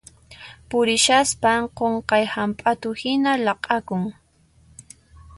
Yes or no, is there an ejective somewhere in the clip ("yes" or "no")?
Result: yes